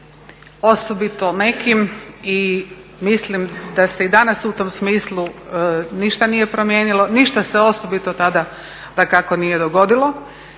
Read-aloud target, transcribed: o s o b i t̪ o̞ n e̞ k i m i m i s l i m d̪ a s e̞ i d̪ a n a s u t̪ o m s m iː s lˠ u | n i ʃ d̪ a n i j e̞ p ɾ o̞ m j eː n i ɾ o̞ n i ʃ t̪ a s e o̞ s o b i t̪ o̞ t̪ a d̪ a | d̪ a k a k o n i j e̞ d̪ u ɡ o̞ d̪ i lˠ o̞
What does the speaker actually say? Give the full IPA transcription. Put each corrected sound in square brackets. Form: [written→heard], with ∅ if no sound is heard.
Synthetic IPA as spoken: o s o b i t̪ o̞ n e̞ k i m i m i s l i m d̪ a s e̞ i d̪ a n a s u t̪ o m s m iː s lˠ u | n i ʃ [d̪→t̪] a n i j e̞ p ɾ o̞ m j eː n i [ɾ→l] o̞ n i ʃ t̪ a s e o̞ s o b i t̪ o̞ t̪ a d̪ a | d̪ a k a k o n i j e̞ d̪ [u→o] ɡ o̞ d̪ i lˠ o̞